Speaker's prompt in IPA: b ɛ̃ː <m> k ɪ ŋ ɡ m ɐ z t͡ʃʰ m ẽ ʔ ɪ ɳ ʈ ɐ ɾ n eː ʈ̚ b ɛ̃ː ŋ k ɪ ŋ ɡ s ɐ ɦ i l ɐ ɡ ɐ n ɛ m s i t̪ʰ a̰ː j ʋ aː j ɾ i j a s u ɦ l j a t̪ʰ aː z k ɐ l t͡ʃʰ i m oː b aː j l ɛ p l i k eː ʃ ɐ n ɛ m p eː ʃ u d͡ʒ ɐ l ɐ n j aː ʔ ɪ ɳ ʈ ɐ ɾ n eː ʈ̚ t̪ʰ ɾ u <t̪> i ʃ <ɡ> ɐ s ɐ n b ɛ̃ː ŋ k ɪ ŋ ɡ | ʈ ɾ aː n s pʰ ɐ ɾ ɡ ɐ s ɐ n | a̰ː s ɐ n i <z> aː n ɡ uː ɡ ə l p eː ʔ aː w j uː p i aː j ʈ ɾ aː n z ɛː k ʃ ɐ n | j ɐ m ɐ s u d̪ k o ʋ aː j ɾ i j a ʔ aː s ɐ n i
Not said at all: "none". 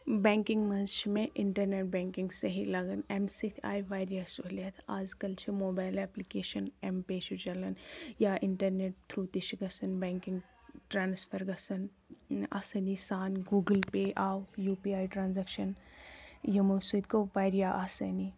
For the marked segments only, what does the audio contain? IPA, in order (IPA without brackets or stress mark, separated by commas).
ŋ, t̪, ɡ, s